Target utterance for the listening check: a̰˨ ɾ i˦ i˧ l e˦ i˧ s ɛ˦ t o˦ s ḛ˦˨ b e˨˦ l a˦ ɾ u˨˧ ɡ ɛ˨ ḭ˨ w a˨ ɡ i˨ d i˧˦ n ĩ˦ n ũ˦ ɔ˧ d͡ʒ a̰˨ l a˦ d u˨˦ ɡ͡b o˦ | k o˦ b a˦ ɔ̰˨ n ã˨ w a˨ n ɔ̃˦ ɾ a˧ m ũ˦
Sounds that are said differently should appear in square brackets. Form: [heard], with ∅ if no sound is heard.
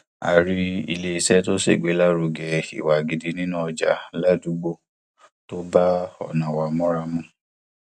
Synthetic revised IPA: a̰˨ ɾ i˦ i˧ l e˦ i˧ s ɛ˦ t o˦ s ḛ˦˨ [ɡ͡b] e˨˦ l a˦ ɾ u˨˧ ɡ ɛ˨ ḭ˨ w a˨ ɡ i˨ d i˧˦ n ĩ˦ n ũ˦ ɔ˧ d͡ʒ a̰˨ l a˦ d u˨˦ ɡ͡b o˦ | [t] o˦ b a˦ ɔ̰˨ n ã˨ w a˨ [m] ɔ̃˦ ɾ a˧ m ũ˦

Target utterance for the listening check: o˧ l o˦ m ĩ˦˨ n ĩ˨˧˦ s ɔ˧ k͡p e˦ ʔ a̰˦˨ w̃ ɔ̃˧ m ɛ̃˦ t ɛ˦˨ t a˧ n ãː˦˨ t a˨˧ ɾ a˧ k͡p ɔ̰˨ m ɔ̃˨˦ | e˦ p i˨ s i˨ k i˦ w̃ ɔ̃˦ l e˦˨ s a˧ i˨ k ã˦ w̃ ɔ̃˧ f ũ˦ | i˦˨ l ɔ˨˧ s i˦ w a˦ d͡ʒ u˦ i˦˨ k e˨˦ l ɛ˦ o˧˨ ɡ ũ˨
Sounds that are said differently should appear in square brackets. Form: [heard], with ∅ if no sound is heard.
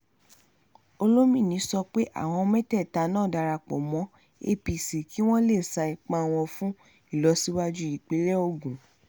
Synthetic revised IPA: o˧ l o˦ m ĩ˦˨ n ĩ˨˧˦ s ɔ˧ k͡p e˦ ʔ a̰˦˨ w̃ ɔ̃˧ m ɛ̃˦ t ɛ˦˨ t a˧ n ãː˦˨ [d] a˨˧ ɾ a˧ k͡p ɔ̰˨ m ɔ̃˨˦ | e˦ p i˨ s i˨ k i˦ w̃ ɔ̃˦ l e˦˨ s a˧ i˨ [k͡p] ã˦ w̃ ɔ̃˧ f ũ˦ | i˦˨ l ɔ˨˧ s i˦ w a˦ d͡ʒ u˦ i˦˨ [k͡p] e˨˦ l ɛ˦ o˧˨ ɡ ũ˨

